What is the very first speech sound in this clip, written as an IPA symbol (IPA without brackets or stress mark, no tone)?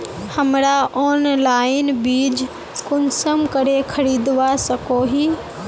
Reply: h